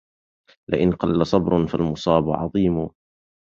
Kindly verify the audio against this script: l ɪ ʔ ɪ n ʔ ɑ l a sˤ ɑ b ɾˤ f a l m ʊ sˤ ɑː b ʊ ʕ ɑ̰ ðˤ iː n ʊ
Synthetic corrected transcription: l ɪ ʔ ɪ n q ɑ lː a sˤ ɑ b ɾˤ f a l m ʊ sˤ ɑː b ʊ ʕ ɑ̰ ðˤ iː m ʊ